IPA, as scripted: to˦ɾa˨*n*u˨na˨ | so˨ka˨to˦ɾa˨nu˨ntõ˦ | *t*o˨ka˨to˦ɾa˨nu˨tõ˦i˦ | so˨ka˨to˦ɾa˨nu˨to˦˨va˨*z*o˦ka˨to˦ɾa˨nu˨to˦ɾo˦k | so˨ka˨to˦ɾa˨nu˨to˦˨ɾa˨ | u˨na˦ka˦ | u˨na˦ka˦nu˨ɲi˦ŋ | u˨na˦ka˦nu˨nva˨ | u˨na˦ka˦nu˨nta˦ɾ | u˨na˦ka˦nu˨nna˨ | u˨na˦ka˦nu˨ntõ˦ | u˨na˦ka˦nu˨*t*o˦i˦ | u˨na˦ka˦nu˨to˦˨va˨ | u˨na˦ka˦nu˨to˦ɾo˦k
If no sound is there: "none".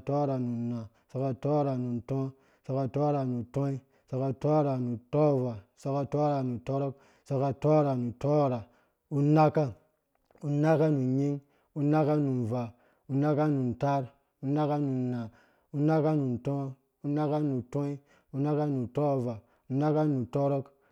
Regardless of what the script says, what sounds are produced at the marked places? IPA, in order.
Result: n, s, s, t

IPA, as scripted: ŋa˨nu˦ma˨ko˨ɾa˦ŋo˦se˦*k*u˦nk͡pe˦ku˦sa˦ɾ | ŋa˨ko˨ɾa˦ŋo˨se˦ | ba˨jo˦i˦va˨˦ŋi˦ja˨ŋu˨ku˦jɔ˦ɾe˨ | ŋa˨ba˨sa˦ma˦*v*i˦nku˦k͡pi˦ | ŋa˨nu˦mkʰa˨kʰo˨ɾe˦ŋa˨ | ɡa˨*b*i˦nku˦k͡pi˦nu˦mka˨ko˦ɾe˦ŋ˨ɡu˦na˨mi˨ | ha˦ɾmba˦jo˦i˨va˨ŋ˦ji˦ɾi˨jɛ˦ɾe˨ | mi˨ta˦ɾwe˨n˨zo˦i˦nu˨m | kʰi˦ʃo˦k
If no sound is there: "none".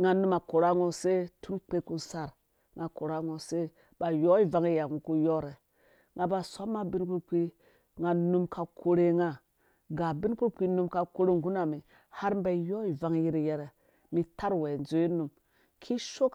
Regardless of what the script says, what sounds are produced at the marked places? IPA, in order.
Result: t, b, b

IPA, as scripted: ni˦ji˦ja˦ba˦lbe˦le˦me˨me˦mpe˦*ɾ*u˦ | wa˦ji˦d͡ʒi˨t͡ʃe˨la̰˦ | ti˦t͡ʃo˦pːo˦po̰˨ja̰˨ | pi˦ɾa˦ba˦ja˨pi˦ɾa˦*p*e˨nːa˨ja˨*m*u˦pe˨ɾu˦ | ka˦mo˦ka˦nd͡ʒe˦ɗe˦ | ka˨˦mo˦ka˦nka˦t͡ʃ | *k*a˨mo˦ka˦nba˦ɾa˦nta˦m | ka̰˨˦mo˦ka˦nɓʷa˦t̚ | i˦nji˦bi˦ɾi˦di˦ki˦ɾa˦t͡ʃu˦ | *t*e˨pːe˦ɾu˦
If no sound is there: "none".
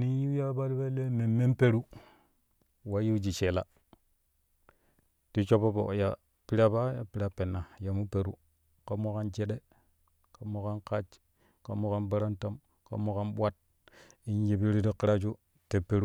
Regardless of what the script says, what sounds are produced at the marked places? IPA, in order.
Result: ɾ, p, m, k, t

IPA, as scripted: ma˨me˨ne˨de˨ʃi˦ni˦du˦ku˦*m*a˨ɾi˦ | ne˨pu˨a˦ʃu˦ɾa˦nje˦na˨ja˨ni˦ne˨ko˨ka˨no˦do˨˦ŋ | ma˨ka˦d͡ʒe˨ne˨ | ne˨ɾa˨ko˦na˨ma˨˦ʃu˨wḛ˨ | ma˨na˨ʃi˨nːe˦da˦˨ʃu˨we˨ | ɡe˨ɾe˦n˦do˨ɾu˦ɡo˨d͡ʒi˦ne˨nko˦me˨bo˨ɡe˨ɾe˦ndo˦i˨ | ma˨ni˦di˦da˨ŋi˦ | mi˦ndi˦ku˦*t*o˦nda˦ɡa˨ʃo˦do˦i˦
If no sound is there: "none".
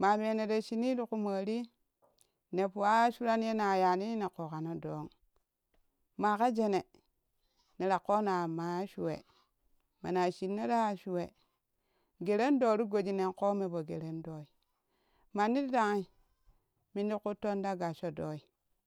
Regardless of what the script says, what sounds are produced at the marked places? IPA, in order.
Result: m, t

